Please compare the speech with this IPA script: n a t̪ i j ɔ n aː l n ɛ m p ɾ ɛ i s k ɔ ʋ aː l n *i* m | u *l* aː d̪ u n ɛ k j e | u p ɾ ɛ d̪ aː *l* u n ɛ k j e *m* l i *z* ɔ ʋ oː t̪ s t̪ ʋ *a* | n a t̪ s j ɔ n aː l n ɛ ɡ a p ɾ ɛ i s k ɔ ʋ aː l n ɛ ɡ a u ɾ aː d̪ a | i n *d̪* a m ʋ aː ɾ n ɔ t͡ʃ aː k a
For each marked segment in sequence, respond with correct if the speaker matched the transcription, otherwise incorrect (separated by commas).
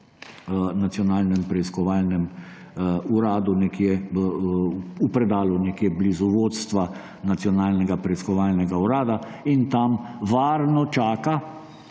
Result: incorrect, incorrect, correct, incorrect, correct, correct, incorrect